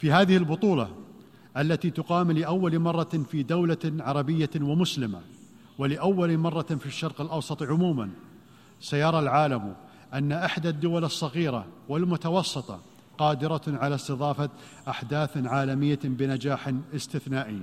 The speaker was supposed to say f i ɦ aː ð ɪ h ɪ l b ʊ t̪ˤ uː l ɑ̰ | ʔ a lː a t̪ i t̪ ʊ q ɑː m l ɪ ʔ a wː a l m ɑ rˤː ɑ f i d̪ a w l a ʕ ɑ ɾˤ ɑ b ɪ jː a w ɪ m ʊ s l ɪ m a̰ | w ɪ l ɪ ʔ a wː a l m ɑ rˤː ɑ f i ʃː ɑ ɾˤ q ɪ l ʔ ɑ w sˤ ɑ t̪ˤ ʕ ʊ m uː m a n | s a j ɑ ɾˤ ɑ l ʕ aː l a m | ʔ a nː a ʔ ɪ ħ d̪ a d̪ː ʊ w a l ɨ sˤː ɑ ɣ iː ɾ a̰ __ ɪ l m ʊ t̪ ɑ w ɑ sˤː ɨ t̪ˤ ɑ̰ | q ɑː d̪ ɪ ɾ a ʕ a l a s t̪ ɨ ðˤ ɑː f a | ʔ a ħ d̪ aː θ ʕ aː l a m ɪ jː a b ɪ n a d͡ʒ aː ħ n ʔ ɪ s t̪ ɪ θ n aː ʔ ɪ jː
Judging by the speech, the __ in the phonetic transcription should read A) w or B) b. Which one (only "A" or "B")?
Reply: A